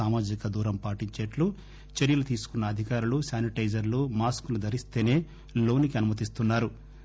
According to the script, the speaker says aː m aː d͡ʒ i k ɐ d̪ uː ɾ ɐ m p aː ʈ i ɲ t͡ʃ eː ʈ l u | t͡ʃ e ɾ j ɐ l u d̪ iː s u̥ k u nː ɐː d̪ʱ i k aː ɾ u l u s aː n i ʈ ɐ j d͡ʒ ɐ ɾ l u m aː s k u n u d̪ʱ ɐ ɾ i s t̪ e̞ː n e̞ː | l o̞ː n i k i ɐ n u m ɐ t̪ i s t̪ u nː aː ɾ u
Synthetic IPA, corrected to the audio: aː m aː d͡ʒ i k ɐ d̪ uː ɾ ɐ m p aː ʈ i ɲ t͡ʃ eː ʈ l u | t͡ʃ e ɾ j ɐ l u t̪ iː s u̥ k u nː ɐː d̪ʱ i k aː ɾ u l u s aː n i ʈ ɐ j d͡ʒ ɐ ɾ l u m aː s k u n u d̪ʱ ɐ ɾ i s t̪ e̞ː n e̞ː | l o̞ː n i k i ɐ n u m ɐ t̪ i s t̪ u nː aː ɾ u